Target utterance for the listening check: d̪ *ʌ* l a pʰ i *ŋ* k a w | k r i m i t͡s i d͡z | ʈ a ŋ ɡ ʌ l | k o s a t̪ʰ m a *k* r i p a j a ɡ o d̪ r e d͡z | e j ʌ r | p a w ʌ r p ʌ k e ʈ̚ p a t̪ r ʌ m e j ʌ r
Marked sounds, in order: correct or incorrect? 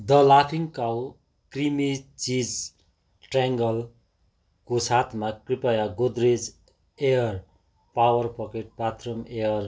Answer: correct, correct, correct

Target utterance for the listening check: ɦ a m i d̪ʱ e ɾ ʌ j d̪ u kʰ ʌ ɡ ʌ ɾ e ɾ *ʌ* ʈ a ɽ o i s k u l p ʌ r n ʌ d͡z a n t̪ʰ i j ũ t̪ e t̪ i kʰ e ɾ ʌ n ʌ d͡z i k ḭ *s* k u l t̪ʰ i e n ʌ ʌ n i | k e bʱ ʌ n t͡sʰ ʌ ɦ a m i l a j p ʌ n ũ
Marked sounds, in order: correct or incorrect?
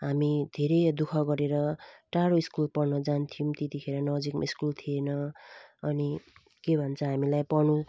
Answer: correct, correct

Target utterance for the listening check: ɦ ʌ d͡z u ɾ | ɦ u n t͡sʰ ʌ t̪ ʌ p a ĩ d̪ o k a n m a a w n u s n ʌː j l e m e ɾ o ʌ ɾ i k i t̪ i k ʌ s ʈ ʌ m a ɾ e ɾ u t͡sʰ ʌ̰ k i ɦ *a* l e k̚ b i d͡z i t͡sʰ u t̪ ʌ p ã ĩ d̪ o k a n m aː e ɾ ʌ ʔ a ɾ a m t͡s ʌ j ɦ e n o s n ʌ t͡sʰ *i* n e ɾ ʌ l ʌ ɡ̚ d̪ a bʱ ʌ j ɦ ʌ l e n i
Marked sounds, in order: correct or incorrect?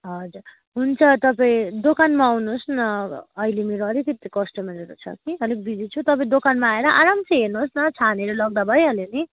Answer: incorrect, incorrect

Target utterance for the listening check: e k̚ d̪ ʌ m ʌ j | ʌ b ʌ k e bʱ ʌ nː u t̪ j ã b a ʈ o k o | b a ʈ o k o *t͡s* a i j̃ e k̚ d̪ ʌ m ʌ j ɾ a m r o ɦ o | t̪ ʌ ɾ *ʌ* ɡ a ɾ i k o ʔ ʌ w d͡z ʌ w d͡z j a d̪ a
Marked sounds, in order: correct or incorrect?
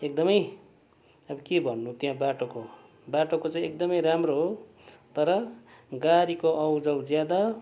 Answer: correct, correct

